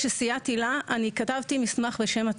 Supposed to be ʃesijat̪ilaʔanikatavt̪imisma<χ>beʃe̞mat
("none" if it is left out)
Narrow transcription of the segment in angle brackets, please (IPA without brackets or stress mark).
χ